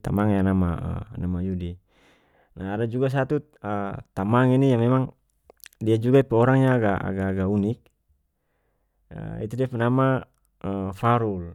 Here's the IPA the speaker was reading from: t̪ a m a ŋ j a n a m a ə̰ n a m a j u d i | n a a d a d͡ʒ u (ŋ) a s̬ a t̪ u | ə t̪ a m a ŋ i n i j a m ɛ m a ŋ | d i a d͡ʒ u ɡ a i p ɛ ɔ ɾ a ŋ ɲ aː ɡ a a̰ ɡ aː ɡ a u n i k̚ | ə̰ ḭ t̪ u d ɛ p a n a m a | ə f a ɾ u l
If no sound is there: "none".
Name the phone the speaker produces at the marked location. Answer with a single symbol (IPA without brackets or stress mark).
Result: ɡ